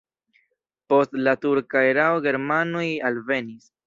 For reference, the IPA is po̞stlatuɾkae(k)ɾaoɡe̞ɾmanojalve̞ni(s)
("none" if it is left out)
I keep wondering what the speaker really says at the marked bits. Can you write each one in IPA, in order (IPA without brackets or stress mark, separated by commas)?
none, s